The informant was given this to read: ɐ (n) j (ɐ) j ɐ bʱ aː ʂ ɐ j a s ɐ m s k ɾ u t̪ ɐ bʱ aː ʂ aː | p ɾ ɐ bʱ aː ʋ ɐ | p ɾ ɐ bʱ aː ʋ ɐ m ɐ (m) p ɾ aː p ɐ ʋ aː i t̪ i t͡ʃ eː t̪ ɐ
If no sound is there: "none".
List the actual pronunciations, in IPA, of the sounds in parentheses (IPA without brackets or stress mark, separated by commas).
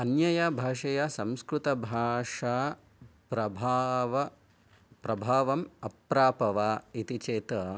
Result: n, ɐ, none